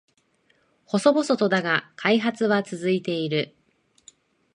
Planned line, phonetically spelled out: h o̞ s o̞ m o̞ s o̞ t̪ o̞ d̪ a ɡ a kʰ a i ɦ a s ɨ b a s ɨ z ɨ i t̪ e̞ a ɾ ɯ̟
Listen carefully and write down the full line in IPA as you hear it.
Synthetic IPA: h o̞ s o̞ b o̞ s o̞ t̪ o̞ d̪ a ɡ a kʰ a i ɦ a t͡s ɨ β a t͡s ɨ z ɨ i t̪ e̞ i ɾ ɯ̟